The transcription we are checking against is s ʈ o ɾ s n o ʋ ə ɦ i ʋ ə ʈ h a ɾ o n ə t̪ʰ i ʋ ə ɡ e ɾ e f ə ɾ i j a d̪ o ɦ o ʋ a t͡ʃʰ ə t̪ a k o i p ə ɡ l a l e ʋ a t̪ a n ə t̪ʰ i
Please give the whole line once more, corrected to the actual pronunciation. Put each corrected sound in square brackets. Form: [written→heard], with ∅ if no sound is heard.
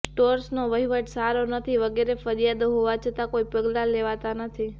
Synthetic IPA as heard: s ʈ o ɾ s n o ʋ ə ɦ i ʋ ə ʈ [h→s] a ɾ o n ə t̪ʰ i ʋ ə ɡ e ɾ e f ə ɾ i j a d̪ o ɦ o ʋ a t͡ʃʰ ə t̪ a k o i p ə ɡ l a l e ʋ a t̪ a n ə t̪ʰ i